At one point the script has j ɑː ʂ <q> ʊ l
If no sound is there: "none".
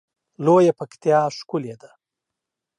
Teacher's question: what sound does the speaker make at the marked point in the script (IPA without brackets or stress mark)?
k